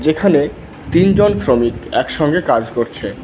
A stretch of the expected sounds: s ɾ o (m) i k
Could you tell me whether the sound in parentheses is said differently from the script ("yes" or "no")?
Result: no